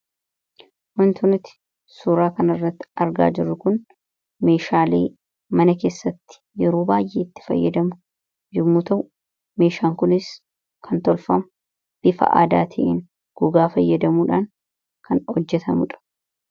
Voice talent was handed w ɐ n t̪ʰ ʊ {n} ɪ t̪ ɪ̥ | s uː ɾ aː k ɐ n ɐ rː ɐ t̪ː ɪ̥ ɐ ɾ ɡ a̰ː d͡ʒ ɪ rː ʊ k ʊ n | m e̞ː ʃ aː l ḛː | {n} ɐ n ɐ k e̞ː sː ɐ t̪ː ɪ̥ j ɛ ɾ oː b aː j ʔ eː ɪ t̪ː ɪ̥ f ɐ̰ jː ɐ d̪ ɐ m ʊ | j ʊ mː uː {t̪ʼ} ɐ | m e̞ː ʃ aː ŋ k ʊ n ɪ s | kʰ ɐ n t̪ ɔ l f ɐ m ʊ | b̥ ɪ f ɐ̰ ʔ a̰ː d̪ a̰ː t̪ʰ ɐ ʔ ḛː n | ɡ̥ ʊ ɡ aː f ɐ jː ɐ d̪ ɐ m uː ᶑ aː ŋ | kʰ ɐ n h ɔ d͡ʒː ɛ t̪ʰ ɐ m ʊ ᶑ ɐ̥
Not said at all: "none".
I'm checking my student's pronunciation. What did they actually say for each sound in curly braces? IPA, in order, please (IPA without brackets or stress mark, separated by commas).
n, m, t̪